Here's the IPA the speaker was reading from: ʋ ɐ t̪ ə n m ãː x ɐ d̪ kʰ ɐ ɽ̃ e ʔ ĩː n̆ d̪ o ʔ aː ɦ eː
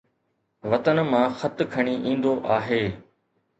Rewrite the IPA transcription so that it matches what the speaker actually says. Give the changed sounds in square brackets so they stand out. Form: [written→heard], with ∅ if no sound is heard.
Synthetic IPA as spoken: ʋ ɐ t̪ ə n m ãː x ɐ [d̪→t̪] kʰ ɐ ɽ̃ [e→i] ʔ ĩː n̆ d̪ o ʔ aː ɦ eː